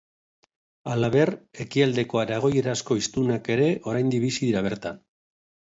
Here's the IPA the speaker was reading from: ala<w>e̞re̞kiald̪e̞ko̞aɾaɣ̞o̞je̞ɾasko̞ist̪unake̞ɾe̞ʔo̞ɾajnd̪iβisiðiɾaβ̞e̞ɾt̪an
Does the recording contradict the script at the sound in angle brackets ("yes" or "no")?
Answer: yes